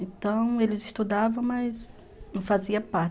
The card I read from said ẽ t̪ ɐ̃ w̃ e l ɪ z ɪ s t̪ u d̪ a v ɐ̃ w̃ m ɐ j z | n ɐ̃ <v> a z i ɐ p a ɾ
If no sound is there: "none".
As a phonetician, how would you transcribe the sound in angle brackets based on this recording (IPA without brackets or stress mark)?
f